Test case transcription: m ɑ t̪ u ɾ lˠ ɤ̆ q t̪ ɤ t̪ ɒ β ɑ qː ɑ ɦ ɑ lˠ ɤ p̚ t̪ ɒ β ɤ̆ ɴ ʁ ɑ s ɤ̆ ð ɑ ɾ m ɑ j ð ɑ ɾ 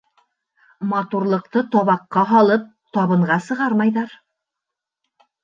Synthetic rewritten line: m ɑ t̪ u ɾ lˠ ɤ̆ q t̪ ɤ t̪ ɒ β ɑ qː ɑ ɦ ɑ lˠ ɤ p̚ t̪ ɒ β ɤ̆ ɴ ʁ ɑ s ɤ̆ ʁ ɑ ɾ m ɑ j ð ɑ ɾ

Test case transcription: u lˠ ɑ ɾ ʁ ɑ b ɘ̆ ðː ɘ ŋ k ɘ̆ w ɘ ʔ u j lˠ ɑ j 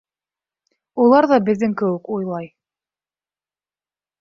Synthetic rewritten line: u lˠ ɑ ɾ ð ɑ b ɘ̆ ðː ɘ ŋ k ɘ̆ w ɘ k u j lˠ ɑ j

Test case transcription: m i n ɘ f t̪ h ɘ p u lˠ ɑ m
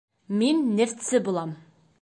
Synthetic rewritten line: m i nː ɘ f t̪ s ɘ b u lˠ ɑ m

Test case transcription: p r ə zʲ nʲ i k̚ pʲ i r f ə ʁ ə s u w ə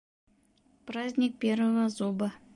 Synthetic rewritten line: p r a zʲ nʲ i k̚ pʲ e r v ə v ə z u b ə

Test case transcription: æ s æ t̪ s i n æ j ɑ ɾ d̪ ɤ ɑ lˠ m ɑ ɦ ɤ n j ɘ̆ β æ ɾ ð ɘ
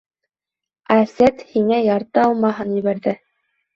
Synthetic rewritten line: æ s æ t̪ h i ŋ æ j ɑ ɾ t̪ ɤ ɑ lˠ m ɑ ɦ ɤ n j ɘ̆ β æ ɾ ð ɘ

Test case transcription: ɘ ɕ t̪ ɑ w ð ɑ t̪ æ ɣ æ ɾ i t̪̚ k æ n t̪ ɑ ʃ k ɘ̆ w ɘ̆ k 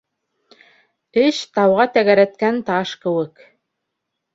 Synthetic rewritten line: ɘ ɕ t̪ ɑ w ʁ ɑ t̪ æ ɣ æ ɾ æ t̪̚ k æ n t̪ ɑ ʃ k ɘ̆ w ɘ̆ k

